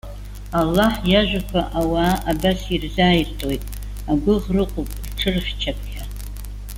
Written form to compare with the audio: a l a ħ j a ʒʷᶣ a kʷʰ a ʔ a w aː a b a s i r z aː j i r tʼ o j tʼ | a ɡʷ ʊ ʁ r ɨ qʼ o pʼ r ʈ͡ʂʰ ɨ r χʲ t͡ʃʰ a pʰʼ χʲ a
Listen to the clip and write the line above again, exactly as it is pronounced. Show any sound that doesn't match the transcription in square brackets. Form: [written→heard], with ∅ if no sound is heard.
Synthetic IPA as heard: a [l→lː] a ħ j a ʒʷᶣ a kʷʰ a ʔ a w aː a b a s i r z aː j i r tʼ o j tʼ | a ɡʷ ʊ ʁ r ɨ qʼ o pʼ r ʈ͡ʂʰ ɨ r χʲ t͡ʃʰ a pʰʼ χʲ a